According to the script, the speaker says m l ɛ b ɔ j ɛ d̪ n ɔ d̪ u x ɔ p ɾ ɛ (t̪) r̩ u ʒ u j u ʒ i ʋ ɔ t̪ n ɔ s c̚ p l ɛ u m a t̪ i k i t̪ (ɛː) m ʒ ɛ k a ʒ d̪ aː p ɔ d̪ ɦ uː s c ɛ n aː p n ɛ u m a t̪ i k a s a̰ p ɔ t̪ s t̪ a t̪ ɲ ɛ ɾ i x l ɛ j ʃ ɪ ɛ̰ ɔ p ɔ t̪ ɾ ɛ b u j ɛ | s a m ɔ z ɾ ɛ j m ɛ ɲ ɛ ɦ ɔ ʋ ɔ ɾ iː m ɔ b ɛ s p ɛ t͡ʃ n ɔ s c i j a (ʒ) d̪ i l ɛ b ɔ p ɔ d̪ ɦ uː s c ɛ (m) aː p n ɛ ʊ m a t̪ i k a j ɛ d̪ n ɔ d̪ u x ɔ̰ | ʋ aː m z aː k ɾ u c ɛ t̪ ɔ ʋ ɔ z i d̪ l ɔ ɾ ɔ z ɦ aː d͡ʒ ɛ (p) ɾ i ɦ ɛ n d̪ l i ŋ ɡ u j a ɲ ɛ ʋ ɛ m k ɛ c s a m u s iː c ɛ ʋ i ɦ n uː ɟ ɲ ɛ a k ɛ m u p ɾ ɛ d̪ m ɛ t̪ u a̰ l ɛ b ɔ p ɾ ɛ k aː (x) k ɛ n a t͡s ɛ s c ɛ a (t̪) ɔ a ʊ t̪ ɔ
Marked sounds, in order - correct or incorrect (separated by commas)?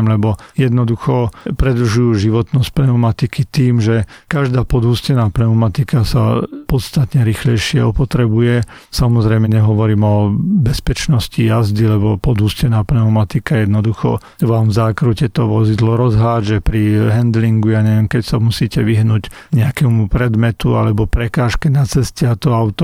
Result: incorrect, incorrect, incorrect, incorrect, correct, incorrect, correct